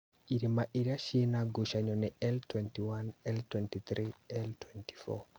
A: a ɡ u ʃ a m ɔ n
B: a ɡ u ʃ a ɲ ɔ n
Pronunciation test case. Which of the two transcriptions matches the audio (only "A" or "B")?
B